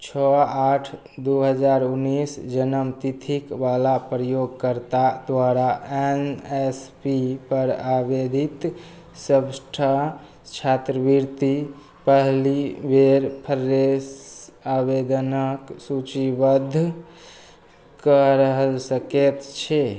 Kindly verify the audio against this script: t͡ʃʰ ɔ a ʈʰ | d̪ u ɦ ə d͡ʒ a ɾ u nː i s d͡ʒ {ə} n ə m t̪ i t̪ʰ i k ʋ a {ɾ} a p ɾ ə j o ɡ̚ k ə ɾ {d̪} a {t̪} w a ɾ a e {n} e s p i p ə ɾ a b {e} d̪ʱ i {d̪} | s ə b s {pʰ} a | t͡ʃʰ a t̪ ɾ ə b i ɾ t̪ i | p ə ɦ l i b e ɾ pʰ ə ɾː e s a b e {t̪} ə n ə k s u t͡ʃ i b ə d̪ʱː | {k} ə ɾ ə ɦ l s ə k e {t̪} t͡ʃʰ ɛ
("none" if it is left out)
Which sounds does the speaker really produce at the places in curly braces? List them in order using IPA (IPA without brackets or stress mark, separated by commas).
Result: ə, l, t̪, d̪, n, e, t̪, ʈʰ, d̪, k, t̪